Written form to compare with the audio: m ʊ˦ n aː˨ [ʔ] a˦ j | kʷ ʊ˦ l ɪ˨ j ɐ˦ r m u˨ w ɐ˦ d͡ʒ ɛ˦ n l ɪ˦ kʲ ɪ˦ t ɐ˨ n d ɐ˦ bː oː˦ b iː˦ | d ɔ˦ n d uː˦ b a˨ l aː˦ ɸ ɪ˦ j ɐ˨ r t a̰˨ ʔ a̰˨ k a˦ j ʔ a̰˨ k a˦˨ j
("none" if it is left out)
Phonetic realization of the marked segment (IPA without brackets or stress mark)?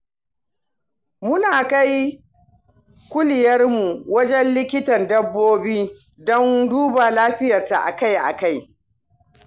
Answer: k